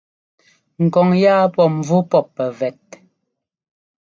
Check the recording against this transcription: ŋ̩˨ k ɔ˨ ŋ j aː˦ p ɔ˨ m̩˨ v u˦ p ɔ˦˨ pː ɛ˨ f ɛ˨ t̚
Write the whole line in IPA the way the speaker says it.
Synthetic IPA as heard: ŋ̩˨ k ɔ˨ ŋ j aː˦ p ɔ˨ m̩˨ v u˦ p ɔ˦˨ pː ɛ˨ v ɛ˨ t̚